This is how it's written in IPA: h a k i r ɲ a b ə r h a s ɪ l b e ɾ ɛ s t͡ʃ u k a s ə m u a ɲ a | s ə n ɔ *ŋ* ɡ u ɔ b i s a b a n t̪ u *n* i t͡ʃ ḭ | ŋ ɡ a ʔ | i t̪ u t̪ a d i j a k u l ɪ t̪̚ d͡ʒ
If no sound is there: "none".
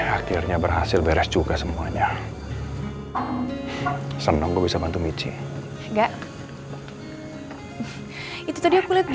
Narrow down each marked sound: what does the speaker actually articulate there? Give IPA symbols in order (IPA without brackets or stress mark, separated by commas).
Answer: ŋ, m